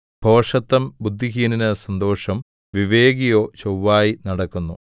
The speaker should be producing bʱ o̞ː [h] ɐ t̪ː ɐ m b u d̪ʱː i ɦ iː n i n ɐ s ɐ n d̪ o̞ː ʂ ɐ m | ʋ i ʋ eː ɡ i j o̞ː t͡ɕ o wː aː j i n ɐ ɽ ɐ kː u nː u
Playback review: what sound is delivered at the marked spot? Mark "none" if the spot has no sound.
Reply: ʂ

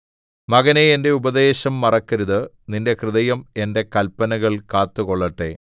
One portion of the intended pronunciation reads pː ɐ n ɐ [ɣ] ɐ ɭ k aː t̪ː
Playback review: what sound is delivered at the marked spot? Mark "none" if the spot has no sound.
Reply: ɣ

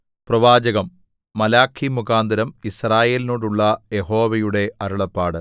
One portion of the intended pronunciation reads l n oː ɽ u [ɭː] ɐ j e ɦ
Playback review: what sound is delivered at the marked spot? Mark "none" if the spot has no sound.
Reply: ɭː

